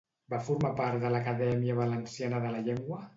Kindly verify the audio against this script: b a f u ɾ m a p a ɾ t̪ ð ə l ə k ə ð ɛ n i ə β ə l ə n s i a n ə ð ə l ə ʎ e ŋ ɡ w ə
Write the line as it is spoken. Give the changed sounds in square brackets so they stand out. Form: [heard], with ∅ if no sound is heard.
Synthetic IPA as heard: b a f u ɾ m a p a ɾ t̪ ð ə l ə k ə ð ɛ [m] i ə β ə l ə n s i a n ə ð ə l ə ʎ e ŋ ɡ w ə